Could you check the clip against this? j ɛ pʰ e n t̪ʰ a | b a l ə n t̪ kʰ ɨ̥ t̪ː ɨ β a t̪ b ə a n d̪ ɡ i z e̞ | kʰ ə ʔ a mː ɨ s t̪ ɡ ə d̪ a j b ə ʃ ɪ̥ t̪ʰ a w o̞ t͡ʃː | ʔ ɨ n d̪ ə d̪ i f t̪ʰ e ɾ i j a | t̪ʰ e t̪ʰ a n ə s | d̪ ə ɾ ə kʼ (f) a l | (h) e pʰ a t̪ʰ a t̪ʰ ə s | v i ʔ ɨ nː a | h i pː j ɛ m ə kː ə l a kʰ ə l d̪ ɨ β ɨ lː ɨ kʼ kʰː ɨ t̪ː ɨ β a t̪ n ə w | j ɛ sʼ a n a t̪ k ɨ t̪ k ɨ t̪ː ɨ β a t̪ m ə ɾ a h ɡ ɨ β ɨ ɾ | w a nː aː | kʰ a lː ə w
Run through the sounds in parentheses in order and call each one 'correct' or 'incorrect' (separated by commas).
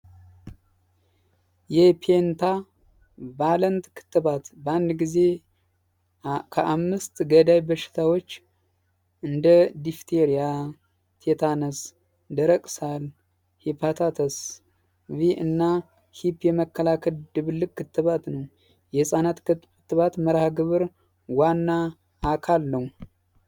incorrect, correct